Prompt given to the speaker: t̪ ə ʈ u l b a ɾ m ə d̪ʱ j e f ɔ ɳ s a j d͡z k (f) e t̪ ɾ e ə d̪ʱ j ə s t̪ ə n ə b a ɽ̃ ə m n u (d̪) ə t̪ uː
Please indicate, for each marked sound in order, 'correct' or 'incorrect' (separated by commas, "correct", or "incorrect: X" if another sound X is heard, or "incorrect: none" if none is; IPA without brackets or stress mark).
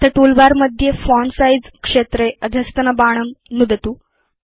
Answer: incorrect: ʂ, correct